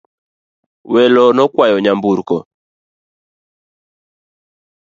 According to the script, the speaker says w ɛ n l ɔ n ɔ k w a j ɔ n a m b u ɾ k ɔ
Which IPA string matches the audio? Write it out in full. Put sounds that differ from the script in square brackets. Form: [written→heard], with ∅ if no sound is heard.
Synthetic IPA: w ɛ [n→∅] l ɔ n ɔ k w a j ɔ [n→ɲ] a m b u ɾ k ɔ